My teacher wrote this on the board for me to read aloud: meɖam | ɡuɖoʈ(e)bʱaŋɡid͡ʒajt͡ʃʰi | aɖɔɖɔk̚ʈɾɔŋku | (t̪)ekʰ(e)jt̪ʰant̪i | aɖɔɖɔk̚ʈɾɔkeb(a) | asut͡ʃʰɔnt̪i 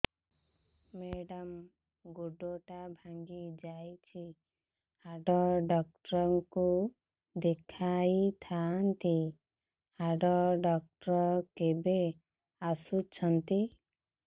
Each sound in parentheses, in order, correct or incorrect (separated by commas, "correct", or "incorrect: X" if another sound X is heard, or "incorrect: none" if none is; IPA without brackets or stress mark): incorrect: a, incorrect: d̪, incorrect: a, incorrect: e